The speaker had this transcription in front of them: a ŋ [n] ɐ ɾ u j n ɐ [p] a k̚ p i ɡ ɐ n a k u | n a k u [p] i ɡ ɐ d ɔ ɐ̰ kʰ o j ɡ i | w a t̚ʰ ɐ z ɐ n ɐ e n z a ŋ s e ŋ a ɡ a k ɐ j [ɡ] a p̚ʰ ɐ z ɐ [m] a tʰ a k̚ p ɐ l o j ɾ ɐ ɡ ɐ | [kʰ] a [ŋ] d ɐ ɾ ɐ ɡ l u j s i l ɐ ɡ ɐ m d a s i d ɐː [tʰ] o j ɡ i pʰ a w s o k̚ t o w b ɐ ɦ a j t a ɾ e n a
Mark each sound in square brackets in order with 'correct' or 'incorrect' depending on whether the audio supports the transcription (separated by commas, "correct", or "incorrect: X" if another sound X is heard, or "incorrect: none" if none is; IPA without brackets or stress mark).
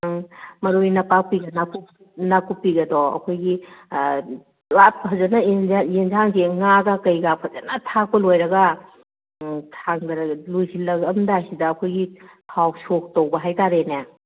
incorrect: m, correct, correct, correct, incorrect: n, incorrect: tʰ, correct, incorrect: kʰ